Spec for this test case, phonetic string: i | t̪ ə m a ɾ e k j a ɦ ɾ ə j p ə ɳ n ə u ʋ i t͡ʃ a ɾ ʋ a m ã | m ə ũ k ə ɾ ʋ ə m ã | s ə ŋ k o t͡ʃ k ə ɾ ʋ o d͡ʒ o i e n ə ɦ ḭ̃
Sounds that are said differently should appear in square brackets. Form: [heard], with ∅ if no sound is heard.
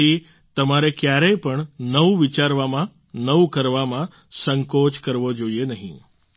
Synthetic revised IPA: i | t̪ ə m a ɾ e k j a [∅] ɾ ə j p ə ɳ n ə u ʋ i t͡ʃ a ɾ ʋ a m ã | [n] ə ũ k ə ɾ ʋ [a] m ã | s ə ŋ k o t͡ʃ k ə ɾ ʋ o d͡ʒ o i e n ə ɦ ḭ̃